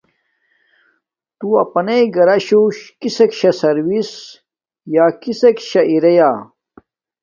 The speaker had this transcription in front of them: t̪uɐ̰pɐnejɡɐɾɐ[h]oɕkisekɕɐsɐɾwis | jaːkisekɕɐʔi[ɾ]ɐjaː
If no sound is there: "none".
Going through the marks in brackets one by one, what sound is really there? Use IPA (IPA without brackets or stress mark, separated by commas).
ɕ, ɾ